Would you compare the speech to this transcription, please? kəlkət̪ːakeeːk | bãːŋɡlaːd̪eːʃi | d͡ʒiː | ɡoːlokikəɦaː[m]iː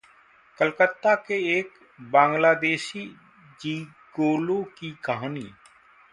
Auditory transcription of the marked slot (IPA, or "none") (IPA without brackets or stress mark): n